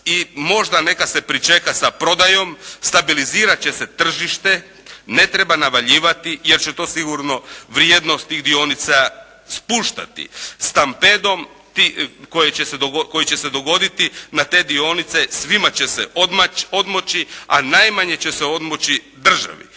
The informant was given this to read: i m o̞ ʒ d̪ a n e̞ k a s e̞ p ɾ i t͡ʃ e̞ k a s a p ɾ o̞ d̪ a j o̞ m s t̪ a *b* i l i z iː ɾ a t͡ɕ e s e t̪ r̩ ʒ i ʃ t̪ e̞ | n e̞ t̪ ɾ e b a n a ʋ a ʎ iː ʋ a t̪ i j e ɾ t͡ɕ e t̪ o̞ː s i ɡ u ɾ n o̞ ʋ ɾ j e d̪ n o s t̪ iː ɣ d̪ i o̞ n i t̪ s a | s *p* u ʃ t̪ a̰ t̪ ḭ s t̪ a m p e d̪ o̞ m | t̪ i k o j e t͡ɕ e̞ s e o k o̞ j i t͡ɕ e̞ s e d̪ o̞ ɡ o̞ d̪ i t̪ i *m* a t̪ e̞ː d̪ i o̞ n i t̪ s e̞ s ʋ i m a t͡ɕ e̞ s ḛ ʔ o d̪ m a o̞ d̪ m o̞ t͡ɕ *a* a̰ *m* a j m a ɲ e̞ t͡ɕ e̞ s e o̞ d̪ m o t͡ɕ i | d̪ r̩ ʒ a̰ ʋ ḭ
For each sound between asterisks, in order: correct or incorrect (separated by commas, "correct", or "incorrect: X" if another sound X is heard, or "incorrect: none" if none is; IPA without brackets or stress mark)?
correct, correct, incorrect: n, incorrect: i, incorrect: n